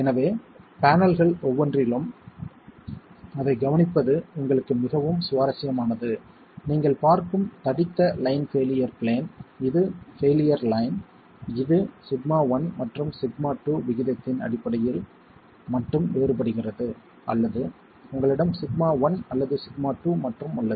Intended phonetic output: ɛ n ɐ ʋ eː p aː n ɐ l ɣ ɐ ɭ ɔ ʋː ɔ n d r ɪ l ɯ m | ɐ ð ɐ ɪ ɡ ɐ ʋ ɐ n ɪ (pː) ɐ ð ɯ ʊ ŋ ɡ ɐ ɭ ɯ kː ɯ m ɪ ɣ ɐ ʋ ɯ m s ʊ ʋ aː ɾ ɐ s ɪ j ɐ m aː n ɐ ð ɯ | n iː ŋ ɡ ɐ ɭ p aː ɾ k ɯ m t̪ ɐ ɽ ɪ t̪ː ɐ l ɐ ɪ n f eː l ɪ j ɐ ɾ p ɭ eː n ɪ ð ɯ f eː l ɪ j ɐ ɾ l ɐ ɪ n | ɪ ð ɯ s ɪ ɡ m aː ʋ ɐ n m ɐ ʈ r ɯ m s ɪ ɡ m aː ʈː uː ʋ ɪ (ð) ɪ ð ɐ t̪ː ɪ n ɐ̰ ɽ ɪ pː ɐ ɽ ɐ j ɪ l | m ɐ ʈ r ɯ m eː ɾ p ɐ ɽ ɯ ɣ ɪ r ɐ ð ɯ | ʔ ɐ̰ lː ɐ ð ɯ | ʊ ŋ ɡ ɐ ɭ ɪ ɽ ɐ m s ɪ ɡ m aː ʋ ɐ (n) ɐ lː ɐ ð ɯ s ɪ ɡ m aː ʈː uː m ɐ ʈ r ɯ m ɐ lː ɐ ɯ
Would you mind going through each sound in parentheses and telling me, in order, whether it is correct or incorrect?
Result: correct, incorrect: ɣ, correct

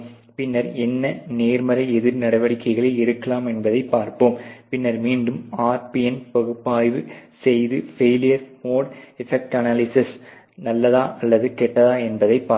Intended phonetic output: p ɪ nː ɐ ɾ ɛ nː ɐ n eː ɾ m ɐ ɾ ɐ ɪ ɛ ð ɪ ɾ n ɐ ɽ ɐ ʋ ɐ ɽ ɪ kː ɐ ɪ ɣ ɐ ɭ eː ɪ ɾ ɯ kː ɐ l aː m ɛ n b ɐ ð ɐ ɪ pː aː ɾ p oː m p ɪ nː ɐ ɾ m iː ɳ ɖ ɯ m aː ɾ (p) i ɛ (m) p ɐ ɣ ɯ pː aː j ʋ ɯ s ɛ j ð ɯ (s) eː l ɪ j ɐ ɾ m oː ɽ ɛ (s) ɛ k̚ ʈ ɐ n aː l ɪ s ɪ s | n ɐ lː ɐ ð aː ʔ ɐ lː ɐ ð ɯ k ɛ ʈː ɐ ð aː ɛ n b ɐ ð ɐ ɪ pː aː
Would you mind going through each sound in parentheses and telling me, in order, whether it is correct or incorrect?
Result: correct, incorrect: n, incorrect: f, incorrect: f

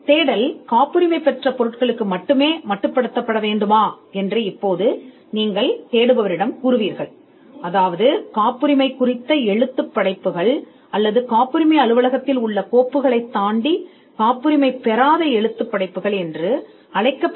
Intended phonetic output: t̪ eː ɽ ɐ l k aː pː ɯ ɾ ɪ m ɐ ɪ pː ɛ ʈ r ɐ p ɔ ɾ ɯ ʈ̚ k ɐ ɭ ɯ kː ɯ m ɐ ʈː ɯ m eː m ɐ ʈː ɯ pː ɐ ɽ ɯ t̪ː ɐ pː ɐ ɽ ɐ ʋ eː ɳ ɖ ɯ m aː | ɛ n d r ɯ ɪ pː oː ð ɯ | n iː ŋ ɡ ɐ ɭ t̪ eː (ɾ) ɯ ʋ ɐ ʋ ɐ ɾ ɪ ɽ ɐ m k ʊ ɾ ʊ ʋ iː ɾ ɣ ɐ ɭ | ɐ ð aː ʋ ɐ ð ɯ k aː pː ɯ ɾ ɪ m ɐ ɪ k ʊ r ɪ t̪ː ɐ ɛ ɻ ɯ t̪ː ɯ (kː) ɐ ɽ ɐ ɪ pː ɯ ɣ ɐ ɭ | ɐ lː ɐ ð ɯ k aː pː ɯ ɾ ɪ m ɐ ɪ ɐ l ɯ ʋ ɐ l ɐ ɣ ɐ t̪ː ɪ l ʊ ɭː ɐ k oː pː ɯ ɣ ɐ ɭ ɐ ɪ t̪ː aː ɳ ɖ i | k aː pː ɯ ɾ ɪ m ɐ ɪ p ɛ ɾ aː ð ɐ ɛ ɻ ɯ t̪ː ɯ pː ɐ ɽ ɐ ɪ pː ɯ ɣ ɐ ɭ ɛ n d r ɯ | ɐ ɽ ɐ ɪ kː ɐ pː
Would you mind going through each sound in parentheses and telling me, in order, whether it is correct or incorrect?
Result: incorrect: ɽ, incorrect: pː

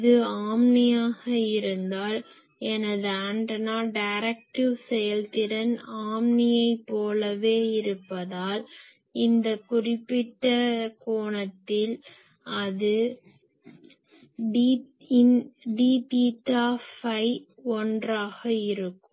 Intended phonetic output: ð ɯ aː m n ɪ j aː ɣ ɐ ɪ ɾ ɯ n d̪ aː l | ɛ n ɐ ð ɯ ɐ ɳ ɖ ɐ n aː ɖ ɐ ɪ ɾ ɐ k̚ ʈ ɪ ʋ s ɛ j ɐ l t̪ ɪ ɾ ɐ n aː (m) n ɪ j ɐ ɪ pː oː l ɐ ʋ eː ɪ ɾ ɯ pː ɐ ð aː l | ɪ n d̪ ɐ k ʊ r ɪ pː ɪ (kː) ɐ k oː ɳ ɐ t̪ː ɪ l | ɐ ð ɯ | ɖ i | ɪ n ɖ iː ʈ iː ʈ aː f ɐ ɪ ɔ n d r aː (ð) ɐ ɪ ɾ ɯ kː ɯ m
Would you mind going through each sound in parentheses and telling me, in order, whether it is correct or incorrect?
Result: correct, incorrect: ʈː, incorrect: ɣ

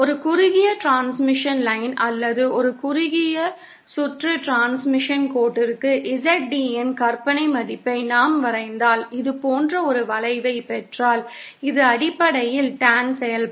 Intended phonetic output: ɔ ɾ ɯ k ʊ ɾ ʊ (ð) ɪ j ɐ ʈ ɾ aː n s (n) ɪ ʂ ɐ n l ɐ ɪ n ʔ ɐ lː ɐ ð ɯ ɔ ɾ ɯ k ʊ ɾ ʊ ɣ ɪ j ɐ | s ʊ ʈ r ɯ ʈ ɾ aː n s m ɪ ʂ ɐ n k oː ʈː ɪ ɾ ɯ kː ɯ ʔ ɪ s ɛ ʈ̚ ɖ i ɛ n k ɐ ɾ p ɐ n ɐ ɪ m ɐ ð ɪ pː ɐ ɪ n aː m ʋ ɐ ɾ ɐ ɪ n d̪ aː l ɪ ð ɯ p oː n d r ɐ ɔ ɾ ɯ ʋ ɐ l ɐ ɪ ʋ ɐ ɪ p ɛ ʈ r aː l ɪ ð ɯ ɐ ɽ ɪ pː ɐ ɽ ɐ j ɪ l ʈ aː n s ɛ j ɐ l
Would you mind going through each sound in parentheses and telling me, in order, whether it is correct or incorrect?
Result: incorrect: ɣ, incorrect: m

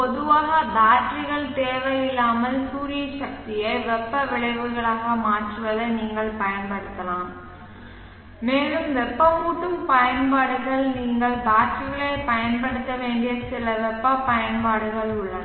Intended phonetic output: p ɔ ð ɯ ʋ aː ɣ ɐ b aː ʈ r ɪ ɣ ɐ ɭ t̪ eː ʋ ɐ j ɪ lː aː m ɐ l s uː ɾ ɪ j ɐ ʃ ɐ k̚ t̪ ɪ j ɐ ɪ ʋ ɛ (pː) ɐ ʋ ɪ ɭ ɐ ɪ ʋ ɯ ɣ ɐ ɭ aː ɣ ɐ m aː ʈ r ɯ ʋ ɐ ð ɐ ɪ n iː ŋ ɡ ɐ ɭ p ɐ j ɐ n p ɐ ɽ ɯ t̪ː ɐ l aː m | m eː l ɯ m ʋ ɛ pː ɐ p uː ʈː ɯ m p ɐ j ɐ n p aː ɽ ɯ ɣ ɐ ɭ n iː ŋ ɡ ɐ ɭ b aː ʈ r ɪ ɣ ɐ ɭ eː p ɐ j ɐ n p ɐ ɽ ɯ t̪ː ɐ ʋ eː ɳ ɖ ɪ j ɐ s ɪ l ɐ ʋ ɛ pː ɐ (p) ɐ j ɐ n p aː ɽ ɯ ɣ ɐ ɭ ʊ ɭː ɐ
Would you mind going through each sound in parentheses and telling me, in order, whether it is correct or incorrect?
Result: correct, correct

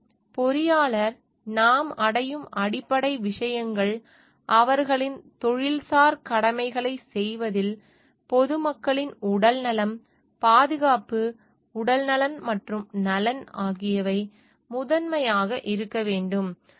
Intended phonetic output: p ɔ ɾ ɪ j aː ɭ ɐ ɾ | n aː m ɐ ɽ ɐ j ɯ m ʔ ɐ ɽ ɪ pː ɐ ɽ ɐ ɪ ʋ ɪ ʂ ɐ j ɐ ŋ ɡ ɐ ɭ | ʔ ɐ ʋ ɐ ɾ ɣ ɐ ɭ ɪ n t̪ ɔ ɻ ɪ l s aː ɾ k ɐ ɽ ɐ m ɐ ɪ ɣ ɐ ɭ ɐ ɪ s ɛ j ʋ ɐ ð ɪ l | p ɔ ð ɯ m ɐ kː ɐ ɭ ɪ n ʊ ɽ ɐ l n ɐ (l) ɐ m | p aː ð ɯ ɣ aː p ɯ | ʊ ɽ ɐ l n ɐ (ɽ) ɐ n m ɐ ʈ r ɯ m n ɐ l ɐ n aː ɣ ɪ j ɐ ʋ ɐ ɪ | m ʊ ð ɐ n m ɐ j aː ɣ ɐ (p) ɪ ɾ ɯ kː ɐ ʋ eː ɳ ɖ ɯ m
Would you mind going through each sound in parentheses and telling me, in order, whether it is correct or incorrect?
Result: correct, incorrect: l, incorrect: ʔ

